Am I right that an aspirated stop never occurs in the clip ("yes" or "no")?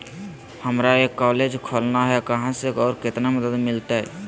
no